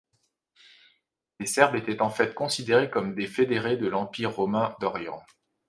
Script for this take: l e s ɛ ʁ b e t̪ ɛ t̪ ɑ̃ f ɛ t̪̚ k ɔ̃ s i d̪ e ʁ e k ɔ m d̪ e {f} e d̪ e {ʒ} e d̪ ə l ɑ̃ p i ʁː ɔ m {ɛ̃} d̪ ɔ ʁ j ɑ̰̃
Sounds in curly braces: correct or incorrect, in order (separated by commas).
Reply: correct, incorrect, correct